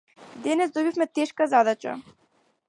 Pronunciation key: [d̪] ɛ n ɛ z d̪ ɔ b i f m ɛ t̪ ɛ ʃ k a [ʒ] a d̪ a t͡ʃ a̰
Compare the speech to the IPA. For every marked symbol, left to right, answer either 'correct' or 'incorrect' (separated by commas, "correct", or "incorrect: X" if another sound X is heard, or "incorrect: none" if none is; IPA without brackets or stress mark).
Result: correct, incorrect: z